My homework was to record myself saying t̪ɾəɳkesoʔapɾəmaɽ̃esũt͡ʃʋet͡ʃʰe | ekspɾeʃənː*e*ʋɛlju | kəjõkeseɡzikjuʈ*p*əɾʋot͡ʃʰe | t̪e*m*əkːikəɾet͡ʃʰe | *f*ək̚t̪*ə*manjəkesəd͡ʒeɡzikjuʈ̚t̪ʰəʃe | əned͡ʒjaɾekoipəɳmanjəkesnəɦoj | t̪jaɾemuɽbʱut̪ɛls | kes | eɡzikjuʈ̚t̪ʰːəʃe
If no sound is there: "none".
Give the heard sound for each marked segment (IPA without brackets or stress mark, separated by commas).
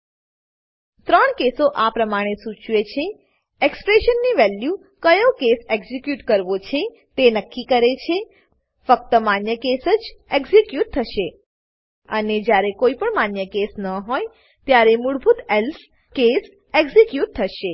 i, k, n, f, ə